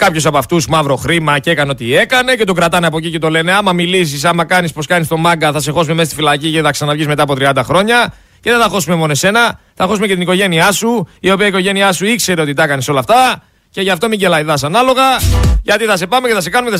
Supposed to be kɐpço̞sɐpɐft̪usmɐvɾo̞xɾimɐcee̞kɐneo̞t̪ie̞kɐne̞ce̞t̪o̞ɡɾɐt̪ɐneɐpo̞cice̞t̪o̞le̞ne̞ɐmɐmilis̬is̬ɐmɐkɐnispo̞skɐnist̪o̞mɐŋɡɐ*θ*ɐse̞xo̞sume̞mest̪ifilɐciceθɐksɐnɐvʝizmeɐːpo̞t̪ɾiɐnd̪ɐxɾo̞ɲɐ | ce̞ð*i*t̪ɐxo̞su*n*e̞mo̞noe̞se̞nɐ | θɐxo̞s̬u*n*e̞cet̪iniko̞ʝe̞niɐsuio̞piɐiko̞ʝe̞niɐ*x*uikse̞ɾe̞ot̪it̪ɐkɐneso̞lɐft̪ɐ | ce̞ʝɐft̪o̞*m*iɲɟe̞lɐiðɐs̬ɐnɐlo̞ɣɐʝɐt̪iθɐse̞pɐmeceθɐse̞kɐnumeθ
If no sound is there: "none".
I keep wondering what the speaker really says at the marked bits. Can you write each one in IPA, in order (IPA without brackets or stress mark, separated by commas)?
θ, e, m, m, s, m